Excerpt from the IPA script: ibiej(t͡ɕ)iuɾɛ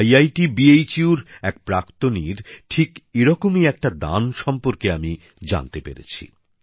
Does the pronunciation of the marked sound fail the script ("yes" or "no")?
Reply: no